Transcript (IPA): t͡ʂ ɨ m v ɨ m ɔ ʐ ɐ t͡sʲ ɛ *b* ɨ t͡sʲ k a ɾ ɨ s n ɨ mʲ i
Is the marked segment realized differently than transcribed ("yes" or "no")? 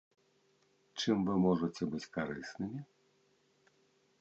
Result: no